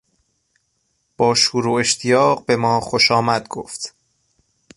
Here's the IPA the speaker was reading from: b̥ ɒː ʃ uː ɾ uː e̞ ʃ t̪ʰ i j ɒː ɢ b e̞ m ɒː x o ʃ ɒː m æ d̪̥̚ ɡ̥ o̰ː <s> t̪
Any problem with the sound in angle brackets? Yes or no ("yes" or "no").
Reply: yes